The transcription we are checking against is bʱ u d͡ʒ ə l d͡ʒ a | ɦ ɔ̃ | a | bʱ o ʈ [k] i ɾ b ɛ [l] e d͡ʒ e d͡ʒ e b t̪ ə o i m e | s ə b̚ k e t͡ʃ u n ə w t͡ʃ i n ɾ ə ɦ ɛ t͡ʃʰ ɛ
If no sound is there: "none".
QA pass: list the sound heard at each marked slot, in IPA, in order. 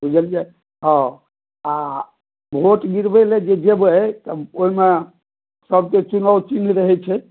ɡ, l

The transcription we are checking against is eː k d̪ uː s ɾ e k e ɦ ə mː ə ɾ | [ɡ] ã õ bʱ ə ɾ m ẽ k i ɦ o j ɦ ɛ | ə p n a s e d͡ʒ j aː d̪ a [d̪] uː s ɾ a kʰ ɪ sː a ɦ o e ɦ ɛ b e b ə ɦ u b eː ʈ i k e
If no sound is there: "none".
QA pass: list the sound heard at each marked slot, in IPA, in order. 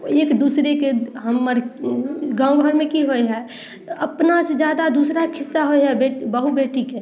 ɡ, d̪

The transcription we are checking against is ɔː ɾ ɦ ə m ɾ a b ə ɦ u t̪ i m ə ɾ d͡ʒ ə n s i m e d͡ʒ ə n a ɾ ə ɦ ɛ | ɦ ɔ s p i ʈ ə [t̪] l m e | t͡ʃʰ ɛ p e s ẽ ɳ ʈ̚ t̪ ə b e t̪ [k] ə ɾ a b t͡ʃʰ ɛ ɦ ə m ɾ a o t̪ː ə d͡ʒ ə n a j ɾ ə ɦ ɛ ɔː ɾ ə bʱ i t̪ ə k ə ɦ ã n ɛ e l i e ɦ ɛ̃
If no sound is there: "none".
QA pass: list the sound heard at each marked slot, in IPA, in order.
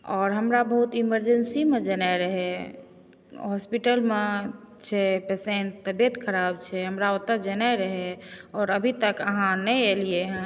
none, kʰ

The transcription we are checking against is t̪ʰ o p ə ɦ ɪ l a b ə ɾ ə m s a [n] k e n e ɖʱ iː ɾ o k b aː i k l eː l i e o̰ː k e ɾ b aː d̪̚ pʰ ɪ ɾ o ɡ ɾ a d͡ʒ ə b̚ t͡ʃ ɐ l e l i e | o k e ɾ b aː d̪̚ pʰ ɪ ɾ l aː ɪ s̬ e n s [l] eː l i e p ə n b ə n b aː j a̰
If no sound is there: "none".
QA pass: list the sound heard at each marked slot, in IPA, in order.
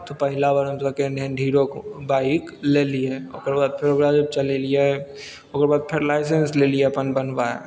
none, l

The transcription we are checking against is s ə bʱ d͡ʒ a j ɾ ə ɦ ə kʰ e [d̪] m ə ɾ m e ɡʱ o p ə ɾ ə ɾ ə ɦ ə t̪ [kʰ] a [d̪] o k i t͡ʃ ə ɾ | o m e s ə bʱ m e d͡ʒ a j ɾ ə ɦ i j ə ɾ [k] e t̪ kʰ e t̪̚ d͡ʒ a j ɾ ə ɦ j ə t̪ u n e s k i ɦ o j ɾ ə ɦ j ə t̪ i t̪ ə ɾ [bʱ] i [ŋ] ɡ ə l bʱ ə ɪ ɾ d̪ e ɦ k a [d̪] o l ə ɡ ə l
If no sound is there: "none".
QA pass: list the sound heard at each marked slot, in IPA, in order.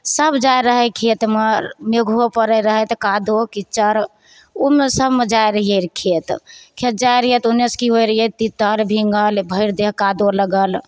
t̪, k, d̪, kʰ, bʱ, ŋ, d̪

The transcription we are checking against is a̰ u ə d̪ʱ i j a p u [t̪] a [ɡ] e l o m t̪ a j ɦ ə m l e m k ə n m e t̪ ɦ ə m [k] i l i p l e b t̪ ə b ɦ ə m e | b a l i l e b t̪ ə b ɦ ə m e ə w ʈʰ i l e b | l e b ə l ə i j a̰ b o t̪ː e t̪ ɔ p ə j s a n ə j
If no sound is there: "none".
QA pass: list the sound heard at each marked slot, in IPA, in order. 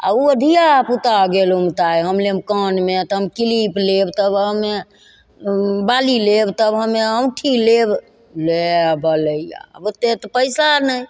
t̪, ɡ, k

